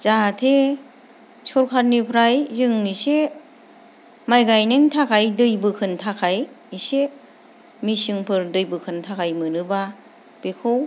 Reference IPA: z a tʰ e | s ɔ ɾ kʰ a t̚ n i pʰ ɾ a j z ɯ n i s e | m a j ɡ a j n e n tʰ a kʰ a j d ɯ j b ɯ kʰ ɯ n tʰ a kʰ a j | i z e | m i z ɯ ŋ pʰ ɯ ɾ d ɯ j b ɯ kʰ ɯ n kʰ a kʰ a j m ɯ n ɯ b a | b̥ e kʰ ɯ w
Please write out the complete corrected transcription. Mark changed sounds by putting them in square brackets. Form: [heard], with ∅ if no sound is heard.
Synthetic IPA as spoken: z a tʰ e | s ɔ ɾ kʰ a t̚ n i pʰ ɾ a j z ɯ [ŋ] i s e | m a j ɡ a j n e n tʰ a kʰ a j d ɯ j b ɯ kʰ ɯ n tʰ a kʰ a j | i [s] e | m i [s] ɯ ŋ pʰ ɯ ɾ d ɯ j b ɯ kʰ ɯ n [tʰ] a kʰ a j m ɯ n ɯ b a | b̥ e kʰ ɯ w